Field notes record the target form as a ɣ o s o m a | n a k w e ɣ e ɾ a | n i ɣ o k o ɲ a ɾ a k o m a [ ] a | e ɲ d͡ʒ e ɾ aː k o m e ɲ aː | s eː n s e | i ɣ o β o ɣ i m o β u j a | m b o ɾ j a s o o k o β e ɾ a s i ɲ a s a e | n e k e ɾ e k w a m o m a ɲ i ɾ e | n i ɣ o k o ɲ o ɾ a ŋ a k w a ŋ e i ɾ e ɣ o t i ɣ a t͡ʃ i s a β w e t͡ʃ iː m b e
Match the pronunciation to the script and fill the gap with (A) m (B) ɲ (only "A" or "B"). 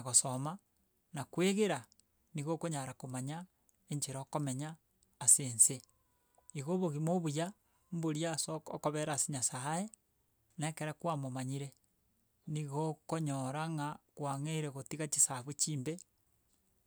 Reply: B